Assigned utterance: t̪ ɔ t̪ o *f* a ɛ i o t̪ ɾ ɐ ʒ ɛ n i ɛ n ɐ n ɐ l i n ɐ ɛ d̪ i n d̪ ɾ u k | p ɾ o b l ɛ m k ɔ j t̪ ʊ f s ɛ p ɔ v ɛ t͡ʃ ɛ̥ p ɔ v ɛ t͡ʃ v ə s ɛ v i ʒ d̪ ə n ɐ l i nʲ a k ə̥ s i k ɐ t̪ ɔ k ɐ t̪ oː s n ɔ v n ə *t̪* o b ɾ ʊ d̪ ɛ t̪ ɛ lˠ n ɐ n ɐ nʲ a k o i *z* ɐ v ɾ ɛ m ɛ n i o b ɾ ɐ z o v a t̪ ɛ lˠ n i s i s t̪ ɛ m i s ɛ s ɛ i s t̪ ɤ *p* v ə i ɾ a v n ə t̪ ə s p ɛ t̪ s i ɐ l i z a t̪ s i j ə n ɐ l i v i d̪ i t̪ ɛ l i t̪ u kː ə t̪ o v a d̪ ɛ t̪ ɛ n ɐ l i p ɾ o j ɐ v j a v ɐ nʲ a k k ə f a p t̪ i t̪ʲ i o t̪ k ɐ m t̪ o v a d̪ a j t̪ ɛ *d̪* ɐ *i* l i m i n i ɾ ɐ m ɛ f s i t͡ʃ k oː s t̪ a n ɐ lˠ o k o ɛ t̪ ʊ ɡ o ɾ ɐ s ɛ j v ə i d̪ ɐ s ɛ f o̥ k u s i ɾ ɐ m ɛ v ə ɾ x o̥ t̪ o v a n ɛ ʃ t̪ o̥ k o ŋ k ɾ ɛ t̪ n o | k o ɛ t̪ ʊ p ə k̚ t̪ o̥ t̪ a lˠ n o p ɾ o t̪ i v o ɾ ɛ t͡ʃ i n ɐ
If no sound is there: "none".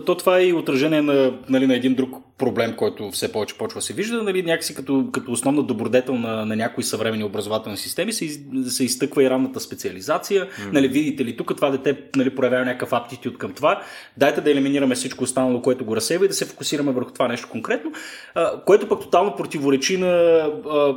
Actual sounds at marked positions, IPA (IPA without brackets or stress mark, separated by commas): v, d̪, s, k, d̪, ɛ